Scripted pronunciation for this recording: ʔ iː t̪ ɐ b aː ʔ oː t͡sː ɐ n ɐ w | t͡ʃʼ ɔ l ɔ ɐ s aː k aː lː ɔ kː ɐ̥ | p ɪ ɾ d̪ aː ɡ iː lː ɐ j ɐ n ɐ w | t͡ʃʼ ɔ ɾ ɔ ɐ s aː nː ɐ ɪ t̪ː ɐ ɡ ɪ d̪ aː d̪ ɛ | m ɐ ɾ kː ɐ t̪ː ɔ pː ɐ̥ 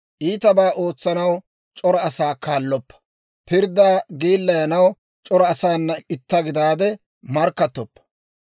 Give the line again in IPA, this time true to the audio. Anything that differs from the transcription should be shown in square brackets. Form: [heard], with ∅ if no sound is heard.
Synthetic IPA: ʔ iː t̪ ɐ b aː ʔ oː t͡sː ɐ n ɐ w | t͡ʃʼ ɔ [ɾ] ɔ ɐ s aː k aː lː ɔ [pː] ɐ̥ | p ɪ ɾ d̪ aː ɡ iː lː ɐ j ɐ n ɐ w | t͡ʃʼ ɔ ɾ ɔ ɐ s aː nː ɐ ɪ t̪ː ɐ ɡ ɪ d̪ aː d̪ ɛ | m ɐ ɾ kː ɐ t̪ː ɔ pː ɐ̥